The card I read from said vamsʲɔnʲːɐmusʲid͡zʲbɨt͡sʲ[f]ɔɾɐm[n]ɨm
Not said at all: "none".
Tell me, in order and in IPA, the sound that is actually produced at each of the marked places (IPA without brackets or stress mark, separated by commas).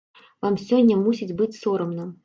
s, n